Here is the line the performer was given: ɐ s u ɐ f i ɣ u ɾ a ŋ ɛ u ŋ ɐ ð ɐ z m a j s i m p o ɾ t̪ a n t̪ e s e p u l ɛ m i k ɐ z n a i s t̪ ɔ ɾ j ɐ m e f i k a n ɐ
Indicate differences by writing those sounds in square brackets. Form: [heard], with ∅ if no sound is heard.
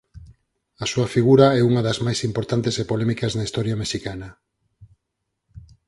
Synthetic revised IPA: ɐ s u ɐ f i ɣ u ɾ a [∅] ɛ u ŋ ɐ ð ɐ z m a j s i m p o ɾ t̪ a n t̪ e s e p [o] l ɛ m i k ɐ z n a i s t̪ ɔ ɾ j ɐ m e [ʃ] i k a n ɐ